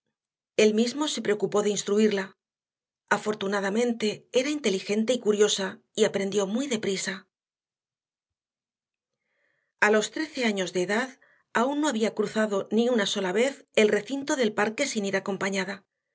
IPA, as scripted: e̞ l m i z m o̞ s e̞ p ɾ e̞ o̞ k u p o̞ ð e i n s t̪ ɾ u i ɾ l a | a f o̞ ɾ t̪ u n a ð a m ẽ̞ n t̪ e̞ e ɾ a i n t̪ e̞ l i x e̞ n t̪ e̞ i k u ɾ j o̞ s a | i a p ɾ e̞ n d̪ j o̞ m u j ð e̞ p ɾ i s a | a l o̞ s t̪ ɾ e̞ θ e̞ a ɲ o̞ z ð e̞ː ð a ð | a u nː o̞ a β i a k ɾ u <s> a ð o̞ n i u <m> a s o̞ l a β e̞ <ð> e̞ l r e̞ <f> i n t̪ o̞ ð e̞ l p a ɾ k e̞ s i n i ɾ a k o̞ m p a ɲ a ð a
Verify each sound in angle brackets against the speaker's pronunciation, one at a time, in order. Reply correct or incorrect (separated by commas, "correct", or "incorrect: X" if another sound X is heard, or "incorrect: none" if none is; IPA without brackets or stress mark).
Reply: incorrect: θ, incorrect: n, incorrect: θ, incorrect: θ